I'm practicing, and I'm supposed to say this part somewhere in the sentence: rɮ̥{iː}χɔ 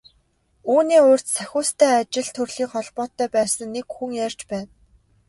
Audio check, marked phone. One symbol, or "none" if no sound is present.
iː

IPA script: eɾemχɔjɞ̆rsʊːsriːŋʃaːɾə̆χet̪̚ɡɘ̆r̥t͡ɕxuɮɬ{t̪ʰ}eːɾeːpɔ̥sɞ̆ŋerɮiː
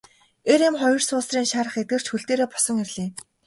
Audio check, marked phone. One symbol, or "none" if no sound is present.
t̪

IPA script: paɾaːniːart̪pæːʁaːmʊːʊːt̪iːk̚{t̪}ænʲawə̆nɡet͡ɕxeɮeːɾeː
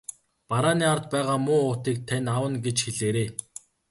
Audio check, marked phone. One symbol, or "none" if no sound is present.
t̪ʰ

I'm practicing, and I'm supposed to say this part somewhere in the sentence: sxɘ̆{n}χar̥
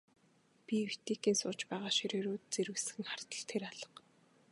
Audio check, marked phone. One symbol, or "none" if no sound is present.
ŋ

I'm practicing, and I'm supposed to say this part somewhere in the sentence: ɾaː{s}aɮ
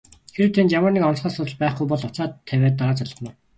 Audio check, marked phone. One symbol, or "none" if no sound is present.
t͡s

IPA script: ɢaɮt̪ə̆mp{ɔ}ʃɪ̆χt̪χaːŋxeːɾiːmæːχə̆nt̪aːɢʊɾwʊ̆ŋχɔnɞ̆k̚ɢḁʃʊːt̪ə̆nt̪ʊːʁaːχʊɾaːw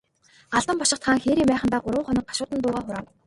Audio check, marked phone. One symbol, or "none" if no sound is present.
ɔ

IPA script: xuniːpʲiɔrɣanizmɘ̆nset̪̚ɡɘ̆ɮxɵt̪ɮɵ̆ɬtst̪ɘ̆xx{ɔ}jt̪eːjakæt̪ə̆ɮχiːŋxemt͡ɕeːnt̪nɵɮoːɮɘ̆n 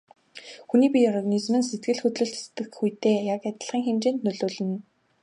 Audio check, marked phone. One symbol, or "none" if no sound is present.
u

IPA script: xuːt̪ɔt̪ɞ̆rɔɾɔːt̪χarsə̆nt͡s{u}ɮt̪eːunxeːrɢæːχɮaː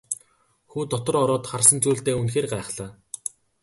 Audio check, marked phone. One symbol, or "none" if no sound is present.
uː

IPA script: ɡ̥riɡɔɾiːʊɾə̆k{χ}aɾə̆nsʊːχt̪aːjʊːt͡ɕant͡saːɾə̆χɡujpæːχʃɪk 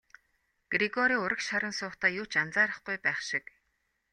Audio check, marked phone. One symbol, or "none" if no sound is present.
ʃ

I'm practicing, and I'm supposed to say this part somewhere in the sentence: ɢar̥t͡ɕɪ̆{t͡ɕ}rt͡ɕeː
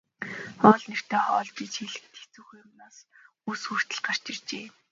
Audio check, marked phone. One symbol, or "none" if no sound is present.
none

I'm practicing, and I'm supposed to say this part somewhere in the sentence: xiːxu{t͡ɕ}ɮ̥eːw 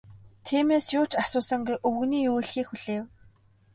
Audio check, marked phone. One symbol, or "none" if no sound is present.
none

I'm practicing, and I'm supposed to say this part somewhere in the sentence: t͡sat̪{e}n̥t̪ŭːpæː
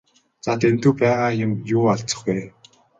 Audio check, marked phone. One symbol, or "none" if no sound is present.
e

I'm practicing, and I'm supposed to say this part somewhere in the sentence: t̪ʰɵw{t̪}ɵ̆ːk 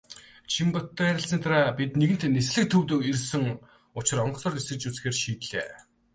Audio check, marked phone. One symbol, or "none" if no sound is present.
t̪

